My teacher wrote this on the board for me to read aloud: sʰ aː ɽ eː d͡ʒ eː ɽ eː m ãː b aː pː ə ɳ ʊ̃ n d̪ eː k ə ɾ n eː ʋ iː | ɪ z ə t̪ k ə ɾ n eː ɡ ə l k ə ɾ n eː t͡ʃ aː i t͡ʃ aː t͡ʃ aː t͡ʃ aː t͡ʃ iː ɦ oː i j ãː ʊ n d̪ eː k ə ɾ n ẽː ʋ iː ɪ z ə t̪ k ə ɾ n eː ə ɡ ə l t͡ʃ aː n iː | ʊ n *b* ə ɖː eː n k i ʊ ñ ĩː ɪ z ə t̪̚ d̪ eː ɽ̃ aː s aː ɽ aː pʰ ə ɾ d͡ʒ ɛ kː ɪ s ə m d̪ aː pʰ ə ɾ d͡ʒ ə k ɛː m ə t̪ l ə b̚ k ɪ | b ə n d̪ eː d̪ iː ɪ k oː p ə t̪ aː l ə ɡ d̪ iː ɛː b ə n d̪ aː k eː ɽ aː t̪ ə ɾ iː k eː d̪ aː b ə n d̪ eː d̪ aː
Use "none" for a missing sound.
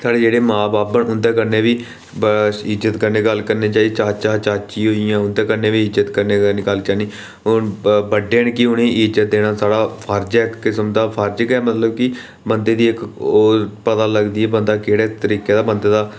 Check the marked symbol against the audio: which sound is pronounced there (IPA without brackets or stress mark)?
b